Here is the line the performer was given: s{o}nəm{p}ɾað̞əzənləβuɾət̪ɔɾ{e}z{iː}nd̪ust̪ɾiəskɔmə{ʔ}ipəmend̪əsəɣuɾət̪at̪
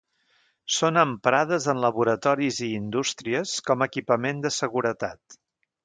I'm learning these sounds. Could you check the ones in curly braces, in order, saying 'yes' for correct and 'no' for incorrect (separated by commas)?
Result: yes, yes, no, yes, no